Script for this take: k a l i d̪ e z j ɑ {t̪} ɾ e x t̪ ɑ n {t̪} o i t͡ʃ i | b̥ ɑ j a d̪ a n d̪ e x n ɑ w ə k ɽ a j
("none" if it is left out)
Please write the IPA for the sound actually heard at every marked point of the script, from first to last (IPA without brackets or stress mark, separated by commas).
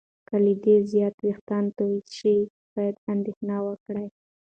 t̪, t̪